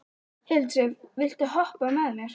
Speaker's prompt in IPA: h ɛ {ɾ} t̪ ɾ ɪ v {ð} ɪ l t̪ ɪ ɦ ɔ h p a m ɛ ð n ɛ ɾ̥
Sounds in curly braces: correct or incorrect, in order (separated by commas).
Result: incorrect, incorrect